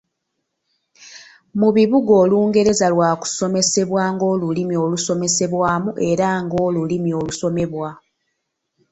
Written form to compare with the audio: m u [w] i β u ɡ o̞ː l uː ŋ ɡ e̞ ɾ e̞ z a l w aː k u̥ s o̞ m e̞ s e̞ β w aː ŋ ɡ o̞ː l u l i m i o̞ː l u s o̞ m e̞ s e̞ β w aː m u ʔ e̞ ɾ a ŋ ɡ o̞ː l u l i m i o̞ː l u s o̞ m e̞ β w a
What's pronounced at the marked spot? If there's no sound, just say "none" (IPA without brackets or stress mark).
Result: β